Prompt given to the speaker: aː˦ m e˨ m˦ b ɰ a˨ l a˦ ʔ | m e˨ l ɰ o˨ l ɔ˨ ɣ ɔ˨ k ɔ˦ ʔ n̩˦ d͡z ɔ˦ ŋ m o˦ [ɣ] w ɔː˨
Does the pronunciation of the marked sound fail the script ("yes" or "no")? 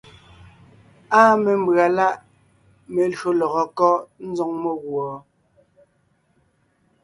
no